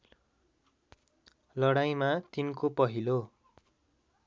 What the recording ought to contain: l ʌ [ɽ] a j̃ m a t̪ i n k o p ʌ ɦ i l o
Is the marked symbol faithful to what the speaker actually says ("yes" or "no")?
yes